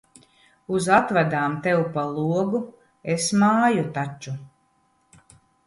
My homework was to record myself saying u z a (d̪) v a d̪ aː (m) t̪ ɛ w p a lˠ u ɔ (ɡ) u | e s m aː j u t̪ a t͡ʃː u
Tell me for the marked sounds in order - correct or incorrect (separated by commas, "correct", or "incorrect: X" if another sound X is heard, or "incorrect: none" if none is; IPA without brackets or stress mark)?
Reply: incorrect: t̪, correct, correct